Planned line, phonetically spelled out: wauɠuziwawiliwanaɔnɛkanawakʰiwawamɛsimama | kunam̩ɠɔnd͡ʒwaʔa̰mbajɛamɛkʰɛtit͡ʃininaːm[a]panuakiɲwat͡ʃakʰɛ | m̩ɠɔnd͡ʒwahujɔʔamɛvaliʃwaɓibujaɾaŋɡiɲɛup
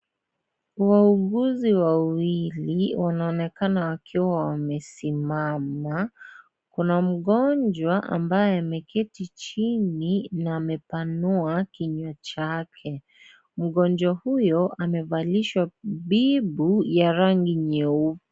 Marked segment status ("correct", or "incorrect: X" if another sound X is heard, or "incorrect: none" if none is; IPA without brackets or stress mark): incorrect: ɛ